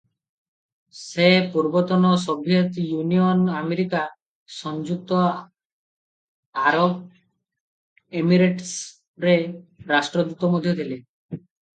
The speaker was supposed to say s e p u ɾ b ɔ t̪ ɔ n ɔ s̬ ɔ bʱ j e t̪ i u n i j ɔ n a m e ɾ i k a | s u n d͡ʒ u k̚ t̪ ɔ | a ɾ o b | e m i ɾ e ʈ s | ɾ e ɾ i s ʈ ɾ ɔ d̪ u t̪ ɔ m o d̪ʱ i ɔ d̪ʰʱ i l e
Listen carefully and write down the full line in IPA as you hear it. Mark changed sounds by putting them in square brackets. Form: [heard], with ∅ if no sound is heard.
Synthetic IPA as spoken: s e p u ɾ b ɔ t̪ ɔ n ɔ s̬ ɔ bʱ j e t̪ [j] u n i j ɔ n a m e ɾ i k a | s [ɔ] n d͡ʒ u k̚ t̪ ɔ | a ɾ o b | e m i ɾ e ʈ s | ɾ e ɾ [a] s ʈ ɾ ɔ d̪ u t̪ ɔ m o d̪ʱ [j] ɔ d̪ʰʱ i l e